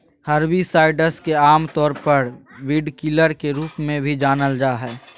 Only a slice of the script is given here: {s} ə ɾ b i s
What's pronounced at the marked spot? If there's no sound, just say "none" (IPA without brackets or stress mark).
h